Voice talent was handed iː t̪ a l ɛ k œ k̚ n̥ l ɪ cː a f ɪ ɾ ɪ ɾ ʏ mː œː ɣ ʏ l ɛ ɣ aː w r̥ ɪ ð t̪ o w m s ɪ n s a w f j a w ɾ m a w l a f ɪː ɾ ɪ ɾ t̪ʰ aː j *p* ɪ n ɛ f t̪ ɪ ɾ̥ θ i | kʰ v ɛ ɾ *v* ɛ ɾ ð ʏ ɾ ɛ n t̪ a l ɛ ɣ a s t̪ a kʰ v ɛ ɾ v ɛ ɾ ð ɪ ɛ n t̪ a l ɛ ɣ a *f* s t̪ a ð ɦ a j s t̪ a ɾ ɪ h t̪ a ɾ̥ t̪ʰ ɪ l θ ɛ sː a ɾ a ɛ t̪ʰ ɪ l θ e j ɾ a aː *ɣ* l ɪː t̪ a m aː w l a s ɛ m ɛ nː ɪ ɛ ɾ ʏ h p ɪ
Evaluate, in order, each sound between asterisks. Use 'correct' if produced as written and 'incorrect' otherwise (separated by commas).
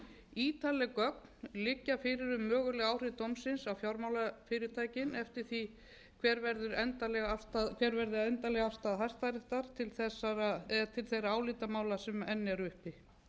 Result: incorrect, correct, correct, incorrect